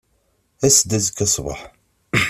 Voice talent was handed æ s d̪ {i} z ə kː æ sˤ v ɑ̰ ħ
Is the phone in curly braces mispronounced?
yes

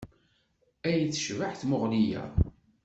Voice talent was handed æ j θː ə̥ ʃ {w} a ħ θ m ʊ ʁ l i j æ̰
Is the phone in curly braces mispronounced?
yes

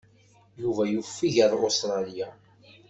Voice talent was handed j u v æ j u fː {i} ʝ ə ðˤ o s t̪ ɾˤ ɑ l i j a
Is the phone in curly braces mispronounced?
no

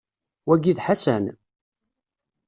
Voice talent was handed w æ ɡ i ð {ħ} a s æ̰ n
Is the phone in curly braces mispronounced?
no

